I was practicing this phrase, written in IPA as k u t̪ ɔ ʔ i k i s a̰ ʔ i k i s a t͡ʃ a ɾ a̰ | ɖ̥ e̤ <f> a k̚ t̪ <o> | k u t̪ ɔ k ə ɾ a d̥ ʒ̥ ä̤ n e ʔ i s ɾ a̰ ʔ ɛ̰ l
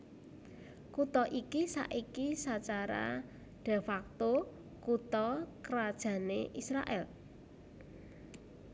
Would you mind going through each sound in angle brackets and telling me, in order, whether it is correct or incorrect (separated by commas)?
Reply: correct, correct